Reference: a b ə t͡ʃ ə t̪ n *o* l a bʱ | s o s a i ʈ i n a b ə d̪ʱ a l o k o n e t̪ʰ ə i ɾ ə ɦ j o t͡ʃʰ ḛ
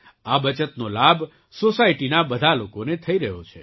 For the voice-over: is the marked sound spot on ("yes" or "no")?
yes